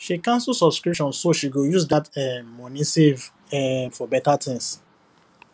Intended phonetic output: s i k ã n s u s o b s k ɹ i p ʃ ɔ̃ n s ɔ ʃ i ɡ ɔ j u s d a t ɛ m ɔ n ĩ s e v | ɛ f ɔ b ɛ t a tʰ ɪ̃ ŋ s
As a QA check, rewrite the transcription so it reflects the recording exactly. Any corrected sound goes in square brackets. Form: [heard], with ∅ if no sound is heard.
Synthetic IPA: [ʃ] i k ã n s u s [ɔ] b s k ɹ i p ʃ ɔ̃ n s [o] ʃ i ɡ [o] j u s d a t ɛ m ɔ n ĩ s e v | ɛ f ɔ b ɛ t a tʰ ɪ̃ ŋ s